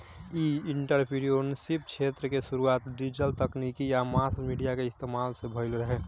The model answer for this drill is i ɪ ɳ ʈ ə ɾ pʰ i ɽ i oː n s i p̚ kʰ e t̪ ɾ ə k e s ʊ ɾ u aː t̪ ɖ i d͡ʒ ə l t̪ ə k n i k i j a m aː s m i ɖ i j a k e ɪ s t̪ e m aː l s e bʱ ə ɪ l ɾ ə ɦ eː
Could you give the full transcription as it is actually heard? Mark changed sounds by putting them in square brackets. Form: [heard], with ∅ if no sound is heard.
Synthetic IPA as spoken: i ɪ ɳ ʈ ə ɾ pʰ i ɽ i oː n s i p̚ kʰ e t̪ ɾ ə k e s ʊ ɾ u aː t̪ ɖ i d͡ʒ ə l t̪ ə k n i k i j a m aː s m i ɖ i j a k e ɪ s t̪ e m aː l s e bʱ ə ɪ l ɾ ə ɦ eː